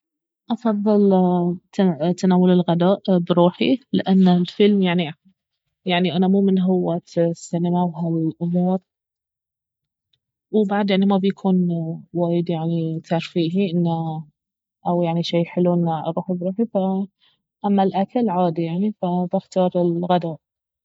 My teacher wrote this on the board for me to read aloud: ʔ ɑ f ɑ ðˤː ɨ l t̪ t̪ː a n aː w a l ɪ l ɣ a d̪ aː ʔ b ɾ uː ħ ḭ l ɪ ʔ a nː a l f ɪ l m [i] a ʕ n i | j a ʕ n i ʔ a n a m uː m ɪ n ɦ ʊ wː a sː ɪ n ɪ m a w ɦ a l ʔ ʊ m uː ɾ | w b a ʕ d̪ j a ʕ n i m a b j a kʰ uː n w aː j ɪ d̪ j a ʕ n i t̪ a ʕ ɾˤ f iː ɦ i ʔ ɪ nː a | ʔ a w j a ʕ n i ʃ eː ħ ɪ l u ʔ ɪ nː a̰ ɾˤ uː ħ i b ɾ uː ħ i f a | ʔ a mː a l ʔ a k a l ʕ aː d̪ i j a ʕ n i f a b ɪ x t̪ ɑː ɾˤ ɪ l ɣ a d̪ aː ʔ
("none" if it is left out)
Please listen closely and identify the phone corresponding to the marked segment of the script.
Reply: j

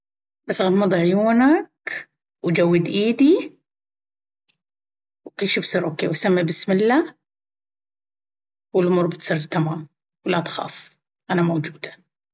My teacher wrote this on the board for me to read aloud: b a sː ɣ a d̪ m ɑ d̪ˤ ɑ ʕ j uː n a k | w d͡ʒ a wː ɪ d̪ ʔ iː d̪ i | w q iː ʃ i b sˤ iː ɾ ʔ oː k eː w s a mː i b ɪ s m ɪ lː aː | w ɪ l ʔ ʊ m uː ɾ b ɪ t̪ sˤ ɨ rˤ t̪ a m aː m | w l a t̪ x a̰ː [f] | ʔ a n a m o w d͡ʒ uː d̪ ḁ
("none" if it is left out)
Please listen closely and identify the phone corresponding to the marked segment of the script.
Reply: f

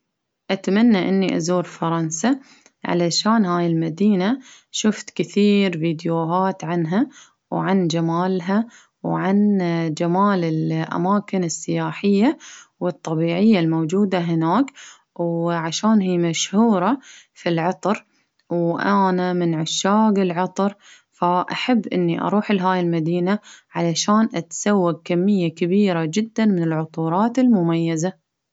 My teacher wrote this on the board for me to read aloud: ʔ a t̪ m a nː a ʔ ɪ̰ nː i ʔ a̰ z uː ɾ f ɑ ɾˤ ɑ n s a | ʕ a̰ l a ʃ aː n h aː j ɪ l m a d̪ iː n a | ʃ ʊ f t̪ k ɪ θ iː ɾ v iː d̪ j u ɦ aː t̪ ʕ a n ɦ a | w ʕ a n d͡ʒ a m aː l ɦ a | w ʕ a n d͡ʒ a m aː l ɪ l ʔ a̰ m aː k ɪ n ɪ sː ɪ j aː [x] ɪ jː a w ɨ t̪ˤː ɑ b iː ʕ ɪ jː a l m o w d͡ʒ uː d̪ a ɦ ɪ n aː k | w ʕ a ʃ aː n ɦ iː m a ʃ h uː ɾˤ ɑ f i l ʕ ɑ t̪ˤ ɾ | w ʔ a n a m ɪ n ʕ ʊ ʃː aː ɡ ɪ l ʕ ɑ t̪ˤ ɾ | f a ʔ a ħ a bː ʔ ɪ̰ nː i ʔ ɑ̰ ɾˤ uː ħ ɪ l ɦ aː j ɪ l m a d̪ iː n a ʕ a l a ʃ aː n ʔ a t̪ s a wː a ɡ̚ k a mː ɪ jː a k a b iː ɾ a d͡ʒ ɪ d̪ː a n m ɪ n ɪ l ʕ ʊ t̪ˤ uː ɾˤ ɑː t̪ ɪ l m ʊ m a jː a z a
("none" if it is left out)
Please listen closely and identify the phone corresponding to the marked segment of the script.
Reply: ħ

